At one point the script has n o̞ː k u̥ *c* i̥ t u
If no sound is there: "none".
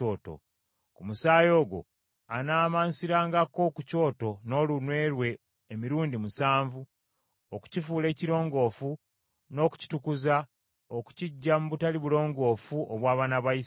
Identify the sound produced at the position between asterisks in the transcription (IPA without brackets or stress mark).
c